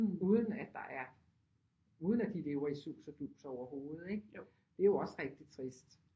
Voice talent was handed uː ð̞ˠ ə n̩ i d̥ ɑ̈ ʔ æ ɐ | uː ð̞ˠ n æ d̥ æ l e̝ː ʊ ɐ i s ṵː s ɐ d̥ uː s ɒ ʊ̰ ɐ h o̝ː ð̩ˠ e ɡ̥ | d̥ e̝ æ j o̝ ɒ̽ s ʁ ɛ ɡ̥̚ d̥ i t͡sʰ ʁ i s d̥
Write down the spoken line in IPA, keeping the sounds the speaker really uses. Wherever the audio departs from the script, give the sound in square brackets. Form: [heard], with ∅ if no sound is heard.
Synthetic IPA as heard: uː ð̞ˠ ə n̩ [æ] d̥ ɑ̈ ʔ æ ɐ | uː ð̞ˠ n æ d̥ [i] l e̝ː ʊ ɐ i s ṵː s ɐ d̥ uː s ɒ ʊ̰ ɐ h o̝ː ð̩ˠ e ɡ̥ | d̥ e̝ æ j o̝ ɒ̽ s ʁ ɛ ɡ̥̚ d̥ i t͡sʰ ʁ i s d̥